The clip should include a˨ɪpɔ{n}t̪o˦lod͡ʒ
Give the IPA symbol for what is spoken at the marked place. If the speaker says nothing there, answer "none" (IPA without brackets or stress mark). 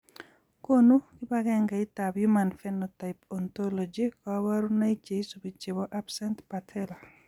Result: n